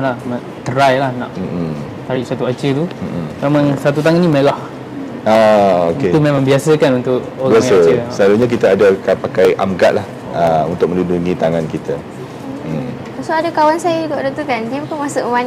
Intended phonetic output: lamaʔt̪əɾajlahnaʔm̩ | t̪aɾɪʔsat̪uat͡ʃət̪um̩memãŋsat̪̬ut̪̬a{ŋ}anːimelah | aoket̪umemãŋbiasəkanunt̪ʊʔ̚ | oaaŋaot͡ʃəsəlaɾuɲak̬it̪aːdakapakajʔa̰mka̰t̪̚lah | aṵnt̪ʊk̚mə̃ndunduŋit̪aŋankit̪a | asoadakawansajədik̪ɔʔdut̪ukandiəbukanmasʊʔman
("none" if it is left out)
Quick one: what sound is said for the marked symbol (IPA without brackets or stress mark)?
ŋ